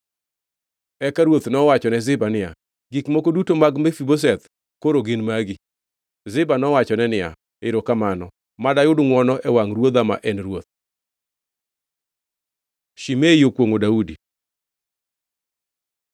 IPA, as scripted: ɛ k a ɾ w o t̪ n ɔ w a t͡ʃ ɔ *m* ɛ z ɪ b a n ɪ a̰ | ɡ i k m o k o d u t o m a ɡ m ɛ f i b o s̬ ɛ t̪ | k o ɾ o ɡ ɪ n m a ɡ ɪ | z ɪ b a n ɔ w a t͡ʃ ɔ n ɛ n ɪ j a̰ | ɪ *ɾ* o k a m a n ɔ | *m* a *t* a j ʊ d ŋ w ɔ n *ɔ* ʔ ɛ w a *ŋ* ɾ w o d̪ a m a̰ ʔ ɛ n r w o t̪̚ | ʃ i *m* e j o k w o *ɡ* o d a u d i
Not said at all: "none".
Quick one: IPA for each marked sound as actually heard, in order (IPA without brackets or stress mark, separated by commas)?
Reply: n, ɾ, m, d, ɔ, ŋ, m, ŋ